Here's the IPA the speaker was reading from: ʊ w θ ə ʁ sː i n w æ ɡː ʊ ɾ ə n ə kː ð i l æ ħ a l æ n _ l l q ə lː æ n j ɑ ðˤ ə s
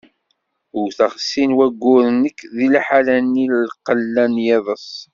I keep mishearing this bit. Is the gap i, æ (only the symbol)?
i